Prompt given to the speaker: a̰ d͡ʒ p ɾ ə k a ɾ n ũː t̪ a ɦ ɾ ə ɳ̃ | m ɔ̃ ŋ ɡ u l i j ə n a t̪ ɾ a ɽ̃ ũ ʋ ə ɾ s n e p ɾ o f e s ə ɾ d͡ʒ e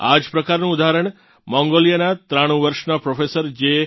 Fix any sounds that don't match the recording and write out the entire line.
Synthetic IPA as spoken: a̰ d͡ʒ p ɾ ə k a ɾ n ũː d̪ a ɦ ɾ ə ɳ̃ | m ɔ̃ ŋ ɡ o l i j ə n a t̪ ɾ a ɽ̃ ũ ʋ ə ɾ ʃ n a p ɾ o f e s ə ɾ d͡ʒ e